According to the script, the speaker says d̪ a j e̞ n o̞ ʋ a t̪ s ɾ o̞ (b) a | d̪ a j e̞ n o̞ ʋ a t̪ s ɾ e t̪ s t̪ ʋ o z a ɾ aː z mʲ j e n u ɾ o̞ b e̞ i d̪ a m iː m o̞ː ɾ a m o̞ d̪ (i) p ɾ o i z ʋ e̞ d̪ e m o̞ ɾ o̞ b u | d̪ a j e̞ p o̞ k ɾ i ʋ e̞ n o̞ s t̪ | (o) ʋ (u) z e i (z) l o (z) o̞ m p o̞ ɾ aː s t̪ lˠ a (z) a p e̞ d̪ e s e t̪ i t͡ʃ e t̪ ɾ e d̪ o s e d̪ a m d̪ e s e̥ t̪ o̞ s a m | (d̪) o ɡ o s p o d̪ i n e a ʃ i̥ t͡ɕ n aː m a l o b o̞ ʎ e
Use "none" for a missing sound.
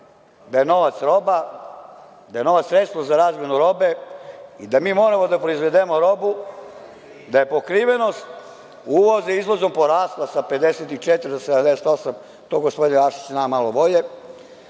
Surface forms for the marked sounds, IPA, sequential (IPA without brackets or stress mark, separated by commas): b, a, u, o, z, z, s, t̪